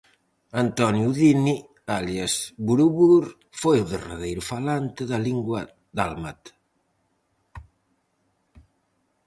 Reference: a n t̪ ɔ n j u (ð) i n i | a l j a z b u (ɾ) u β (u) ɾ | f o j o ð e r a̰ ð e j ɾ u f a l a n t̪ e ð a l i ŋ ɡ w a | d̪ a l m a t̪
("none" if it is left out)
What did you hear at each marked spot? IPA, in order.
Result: ð, ɾ, u

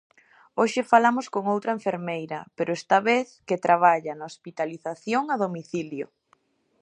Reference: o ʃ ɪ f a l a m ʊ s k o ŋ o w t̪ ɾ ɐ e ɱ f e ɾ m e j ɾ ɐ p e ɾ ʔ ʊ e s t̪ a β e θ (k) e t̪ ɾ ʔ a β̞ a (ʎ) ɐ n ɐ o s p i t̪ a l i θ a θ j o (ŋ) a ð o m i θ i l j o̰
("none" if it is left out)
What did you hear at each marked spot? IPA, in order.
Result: k, ʎ, ŋ

